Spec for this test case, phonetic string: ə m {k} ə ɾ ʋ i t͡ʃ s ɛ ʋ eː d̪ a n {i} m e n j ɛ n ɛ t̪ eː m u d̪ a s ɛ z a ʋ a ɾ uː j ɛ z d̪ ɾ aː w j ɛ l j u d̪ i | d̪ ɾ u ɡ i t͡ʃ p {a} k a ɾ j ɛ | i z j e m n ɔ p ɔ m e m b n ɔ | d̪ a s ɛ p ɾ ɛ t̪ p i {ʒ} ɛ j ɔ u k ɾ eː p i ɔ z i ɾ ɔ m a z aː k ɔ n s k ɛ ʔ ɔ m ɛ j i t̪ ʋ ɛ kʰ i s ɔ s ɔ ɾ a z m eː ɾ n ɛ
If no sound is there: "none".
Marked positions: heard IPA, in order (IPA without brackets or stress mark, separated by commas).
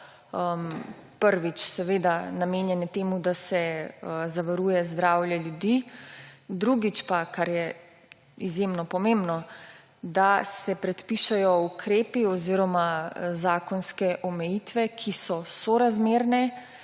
p, a, a, ʃ